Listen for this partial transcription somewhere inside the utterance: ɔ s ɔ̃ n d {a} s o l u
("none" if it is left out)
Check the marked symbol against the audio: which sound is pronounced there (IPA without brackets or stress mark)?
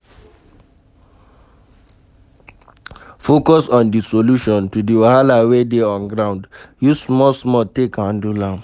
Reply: i